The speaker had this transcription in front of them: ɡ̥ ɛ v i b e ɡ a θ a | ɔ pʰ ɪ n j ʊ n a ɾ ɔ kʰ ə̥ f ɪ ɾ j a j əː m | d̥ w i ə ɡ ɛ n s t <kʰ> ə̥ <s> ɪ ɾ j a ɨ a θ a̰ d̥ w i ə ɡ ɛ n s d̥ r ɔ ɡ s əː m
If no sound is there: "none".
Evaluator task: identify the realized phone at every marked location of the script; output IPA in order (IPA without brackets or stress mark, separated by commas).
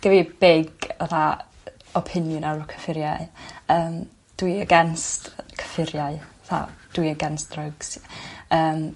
kʰ, f